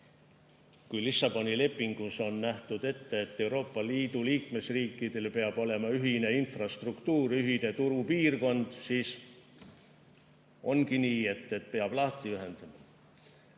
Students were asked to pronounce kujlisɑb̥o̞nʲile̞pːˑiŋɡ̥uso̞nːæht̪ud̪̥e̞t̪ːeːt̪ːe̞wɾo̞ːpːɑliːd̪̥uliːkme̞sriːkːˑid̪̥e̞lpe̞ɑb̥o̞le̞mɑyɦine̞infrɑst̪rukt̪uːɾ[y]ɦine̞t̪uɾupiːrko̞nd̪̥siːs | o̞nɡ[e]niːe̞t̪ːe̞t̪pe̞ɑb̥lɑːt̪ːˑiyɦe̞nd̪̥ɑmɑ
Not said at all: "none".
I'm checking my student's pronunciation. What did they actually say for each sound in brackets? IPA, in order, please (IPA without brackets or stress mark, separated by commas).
y, i